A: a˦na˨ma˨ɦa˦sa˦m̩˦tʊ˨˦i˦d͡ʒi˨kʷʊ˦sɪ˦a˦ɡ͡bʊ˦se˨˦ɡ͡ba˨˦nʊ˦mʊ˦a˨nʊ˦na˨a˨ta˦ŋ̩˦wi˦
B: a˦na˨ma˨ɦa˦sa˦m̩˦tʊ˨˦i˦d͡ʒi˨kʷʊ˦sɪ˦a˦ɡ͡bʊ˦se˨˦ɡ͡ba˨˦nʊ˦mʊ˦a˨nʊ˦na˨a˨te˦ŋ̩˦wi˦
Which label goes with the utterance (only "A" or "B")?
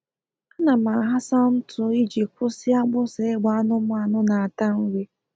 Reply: A